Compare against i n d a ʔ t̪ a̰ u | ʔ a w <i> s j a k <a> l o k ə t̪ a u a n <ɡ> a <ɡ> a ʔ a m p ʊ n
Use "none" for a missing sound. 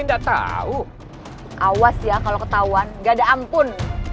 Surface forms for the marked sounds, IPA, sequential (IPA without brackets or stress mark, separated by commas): a, a, ɡ, d